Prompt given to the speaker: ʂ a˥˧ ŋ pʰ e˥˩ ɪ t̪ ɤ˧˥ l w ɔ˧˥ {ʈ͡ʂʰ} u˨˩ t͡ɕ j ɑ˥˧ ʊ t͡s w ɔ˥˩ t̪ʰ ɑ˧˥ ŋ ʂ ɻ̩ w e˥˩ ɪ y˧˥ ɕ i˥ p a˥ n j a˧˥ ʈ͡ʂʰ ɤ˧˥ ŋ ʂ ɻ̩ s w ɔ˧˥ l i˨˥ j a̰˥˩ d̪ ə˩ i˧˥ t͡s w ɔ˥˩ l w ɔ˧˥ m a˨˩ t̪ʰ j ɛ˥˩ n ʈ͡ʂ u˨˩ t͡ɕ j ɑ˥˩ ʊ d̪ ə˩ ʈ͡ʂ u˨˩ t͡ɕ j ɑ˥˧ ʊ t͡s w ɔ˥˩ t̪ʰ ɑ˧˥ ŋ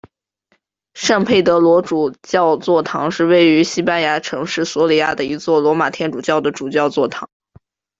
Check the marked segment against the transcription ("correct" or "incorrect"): incorrect